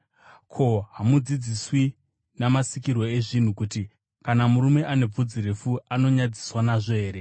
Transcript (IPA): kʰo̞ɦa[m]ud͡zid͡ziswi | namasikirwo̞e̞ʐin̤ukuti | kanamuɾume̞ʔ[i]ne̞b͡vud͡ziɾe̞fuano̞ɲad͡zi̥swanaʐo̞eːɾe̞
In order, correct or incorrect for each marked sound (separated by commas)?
correct, incorrect